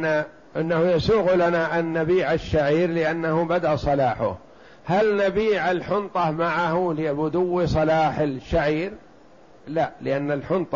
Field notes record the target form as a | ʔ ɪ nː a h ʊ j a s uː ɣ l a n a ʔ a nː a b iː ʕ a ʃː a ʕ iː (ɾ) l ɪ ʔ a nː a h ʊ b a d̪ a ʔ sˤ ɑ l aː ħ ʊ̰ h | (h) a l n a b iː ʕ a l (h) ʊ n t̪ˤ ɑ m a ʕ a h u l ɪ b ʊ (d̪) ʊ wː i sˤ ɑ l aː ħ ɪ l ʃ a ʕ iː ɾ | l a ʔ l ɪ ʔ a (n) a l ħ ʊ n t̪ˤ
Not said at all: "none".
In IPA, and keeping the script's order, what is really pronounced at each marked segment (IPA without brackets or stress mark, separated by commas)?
ɾ, h, ħ, d̪, nː